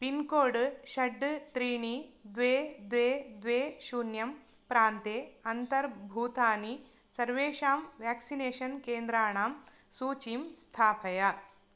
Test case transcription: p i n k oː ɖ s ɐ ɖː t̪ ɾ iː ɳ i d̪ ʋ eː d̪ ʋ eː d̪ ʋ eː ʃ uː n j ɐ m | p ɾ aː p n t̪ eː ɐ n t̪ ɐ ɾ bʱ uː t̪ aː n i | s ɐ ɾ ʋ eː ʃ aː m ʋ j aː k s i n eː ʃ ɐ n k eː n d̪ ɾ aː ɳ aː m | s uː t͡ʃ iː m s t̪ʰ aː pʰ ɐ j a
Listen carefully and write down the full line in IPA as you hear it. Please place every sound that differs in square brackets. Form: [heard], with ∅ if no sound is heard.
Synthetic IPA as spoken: p i n k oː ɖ [ʃ] ɐ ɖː t̪ ɾ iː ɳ i d̪ ʋ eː d̪ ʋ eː d̪ ʋ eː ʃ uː n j ɐ m | p ɾ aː [∅] n t̪ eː ɐ n t̪ ɐ ɾ bʱ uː t̪ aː n i | s ɐ ɾ ʋ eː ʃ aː m ʋ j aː k s i n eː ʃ ɐ n k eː n d̪ ɾ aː ɳ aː m | s uː t͡ʃ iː m s t̪ʰ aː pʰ ɐ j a